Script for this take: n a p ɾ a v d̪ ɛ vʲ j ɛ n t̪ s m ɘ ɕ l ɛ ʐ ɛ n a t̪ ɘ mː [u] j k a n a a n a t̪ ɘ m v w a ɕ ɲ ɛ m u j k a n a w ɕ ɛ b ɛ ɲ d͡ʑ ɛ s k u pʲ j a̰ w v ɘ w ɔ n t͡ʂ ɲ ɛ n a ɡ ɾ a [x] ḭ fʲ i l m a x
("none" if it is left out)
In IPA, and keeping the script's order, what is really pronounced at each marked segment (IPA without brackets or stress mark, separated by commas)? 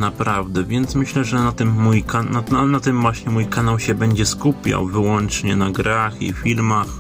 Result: u, x